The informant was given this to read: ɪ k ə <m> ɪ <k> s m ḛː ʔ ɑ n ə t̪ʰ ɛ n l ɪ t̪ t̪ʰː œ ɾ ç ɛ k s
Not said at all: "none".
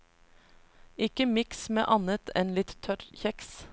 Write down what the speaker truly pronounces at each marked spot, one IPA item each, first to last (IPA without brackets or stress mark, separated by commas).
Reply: m, k